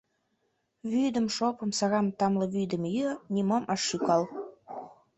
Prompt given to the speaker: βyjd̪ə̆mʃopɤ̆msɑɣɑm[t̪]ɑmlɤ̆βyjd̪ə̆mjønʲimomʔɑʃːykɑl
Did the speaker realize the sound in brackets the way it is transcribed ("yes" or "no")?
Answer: yes